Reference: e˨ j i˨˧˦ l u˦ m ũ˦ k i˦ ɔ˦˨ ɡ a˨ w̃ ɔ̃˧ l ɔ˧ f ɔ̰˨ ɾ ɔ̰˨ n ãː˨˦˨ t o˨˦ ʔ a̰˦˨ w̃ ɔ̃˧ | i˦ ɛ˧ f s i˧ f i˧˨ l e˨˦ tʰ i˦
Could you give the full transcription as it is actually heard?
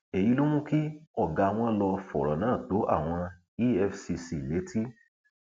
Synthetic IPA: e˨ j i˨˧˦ l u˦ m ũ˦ k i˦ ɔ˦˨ ɡ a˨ w̃ ɔ̃˧ l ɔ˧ f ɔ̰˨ ɾ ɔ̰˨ n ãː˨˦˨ t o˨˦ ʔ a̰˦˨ w̃ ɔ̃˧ | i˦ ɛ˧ f s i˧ s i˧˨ l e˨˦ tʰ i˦